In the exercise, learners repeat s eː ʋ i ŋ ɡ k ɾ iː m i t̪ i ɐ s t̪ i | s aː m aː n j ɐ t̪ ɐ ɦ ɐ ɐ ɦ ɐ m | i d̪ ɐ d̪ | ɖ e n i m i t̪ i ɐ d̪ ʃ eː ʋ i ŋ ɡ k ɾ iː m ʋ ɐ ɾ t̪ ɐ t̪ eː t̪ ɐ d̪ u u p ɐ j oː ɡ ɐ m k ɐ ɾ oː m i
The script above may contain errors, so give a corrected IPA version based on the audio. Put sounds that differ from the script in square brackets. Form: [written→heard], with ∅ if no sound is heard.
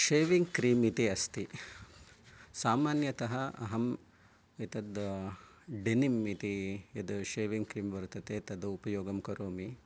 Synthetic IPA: [s→ʃ] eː ʋ i ŋ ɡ k ɾ iː m i t̪ i ɐ s t̪ i | s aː m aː n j ɐ t̪ ɐ ɦ ɐ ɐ ɦ ɐ m | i [d̪→t̪] ɐ d̪ | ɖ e n i m i t̪ i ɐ d̪ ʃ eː ʋ i ŋ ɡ k ɾ iː m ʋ ɐ ɾ t̪ ɐ t̪ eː t̪ ɐ d̪ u u p ɐ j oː ɡ ɐ m k ɐ ɾ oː m i